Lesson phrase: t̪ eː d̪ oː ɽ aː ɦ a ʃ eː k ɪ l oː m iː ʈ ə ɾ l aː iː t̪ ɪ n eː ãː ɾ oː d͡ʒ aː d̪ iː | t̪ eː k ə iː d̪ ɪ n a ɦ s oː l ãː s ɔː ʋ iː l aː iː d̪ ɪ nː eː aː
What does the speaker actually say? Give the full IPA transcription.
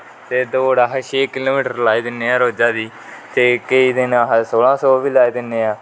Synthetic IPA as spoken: t̪ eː d̪ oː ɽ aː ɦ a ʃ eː k ɪ l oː m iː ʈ ə ɾ l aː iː d̪ ɪ n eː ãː ɾ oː d͡ʒ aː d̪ iː | t̪ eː k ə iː d̪ ɪ n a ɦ s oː l ãː s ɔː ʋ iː l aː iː d̪ ɪ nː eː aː